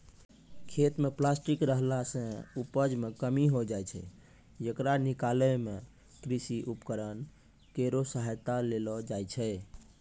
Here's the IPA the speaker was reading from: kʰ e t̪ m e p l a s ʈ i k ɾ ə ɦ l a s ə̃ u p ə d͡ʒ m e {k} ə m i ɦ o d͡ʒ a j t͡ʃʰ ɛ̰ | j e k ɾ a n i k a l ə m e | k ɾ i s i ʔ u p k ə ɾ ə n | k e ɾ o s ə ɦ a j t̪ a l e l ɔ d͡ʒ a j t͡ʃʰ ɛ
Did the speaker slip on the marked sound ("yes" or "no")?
no